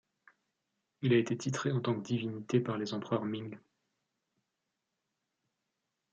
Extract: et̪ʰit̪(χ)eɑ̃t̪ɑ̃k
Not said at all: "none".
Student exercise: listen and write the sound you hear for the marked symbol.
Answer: χ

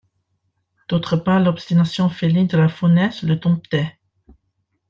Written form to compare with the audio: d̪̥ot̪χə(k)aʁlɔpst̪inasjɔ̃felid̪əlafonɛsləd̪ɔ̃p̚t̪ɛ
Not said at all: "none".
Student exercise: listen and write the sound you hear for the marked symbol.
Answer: p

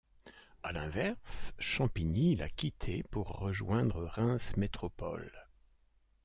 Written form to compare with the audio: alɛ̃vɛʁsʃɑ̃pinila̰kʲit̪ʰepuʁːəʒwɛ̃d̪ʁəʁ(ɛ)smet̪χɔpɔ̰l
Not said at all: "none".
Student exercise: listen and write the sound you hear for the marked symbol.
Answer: ɛ̃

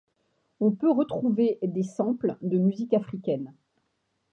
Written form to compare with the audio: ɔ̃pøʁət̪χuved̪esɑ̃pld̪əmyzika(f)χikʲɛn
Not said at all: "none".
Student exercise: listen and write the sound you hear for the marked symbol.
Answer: f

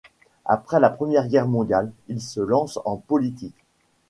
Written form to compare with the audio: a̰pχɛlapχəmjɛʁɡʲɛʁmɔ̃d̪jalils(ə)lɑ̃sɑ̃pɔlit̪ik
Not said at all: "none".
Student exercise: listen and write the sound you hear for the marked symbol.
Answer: ə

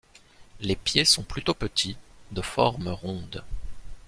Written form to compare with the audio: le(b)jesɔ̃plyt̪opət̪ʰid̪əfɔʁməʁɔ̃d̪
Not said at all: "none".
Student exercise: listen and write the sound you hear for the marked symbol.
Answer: p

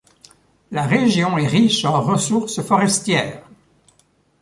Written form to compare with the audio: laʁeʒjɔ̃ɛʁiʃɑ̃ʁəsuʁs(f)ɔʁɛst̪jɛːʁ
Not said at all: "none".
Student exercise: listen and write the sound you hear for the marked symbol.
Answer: f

